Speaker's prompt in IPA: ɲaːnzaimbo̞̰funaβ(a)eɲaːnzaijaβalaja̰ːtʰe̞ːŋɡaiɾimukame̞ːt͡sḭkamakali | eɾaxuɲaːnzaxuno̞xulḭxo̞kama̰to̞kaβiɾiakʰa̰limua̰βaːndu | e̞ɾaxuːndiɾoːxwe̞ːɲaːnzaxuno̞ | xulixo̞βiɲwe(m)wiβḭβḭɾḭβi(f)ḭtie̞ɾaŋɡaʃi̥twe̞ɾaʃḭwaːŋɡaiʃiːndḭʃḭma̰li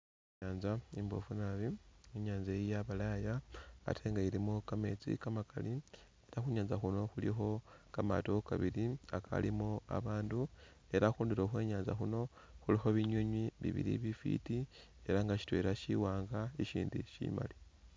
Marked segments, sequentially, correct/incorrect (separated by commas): incorrect, incorrect, correct